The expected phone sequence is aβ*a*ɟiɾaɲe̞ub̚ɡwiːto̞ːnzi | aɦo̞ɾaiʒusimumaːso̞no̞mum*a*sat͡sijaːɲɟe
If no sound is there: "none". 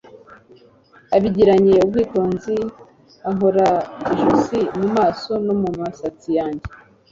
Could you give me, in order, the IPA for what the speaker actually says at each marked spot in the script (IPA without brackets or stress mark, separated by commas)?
i, a